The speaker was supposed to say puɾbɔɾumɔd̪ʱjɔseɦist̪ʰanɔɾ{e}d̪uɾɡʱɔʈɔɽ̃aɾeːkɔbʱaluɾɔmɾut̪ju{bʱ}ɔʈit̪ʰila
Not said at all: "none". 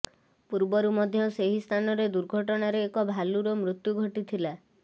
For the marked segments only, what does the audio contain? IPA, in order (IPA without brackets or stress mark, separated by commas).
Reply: e, ɡʱ